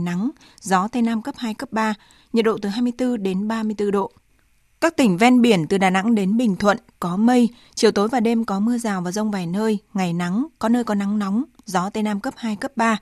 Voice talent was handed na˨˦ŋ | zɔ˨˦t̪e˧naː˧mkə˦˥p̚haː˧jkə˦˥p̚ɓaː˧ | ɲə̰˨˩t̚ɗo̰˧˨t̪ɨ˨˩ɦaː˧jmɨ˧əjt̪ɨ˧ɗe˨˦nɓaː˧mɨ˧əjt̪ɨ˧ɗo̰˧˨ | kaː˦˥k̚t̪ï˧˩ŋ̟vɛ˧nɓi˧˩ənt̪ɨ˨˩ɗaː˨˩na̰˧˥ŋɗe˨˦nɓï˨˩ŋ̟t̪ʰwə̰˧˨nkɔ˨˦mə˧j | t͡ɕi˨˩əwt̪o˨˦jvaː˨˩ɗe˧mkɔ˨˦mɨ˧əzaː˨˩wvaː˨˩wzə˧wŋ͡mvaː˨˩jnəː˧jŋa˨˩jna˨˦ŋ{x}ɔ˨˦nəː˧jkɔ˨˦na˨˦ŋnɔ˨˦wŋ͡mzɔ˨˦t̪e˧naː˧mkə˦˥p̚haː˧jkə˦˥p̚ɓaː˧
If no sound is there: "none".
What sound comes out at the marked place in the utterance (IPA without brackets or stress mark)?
k